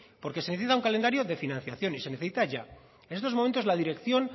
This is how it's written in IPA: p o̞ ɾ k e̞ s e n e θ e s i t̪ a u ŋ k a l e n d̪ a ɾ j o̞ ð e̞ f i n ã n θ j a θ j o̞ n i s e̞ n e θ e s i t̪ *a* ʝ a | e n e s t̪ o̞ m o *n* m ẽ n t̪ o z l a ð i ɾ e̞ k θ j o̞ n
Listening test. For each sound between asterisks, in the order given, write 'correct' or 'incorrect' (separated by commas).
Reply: correct, incorrect